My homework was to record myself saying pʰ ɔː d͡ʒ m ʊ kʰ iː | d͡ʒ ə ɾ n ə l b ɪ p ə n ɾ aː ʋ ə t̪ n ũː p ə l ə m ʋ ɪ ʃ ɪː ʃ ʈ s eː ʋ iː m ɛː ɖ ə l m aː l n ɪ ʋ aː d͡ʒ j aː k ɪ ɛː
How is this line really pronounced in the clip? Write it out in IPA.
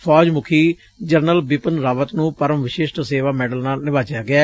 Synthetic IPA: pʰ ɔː d͡ʒ m ʊ kʰ iː | d͡ʒ ə ɾ n ə l b ɪ p ə n ɾ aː ʋ ə t̪ n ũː p ə ɾ ə m ʋ ɪ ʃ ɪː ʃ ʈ s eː ʋ aː m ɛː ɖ ə l n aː l n ɪ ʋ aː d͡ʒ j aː ɡ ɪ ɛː